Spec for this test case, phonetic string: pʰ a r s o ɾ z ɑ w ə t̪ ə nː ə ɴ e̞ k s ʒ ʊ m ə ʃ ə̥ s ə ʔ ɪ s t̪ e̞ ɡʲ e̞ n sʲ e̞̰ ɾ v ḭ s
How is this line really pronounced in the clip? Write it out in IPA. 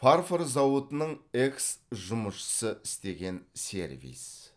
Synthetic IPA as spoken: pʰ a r f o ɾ z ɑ w ə t̪ ə n ə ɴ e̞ k s ʒ ʊ m ə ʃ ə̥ s ə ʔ ɪ s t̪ e̞ ɡʲ e̞ n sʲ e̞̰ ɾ v ḭ s